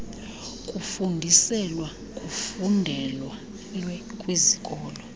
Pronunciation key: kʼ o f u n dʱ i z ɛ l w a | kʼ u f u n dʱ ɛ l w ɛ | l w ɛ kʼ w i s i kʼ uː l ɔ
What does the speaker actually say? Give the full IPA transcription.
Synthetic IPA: kʼ u f u n dʱ i s ɛ l w a | kʼ u f u n dʱ ɛ l w a | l w ɛ kʼ w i z i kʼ ɔː l ɔ

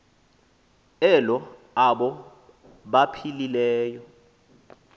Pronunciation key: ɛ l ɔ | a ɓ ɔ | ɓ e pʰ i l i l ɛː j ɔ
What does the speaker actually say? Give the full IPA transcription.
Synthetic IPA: ɛ l ɔ | a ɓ ɔ | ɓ a pʰ i l i l ɛː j ɔ

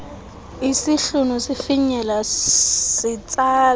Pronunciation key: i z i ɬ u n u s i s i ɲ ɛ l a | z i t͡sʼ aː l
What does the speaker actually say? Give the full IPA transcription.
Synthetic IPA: i s i ɬ u n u s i f i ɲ ɛ l a | s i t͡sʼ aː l

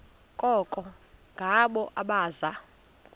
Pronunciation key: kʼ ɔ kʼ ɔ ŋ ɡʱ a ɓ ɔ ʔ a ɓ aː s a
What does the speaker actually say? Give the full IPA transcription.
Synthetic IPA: kʼ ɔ kʼ ɔ ŋ ɡʱ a ɓ ɔ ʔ a ɓ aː z a

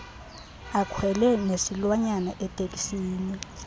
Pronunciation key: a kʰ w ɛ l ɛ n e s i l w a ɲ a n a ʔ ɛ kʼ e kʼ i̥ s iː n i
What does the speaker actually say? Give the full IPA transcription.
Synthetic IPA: a kʰ w ɛ l ɛ n e s i l w a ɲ a n a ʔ ɛ tʼ e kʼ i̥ s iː n i

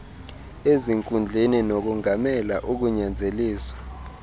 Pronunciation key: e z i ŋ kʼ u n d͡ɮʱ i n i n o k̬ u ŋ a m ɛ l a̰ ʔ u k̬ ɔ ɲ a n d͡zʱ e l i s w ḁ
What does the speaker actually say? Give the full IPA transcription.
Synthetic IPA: e z i ŋ kʼ u n d͡ɮʱ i n i n o k̬ u ŋ a m ɛ l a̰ ʔ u k̬ u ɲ a n d͡zʱ e l iː s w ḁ

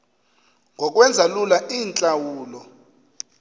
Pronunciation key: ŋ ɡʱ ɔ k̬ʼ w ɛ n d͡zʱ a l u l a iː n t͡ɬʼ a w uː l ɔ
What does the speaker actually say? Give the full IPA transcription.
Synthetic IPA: ŋ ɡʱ ɔ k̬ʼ w ɛ n d͡zʱ a l u l a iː n t͡ɬʼ a w uː l ɔ

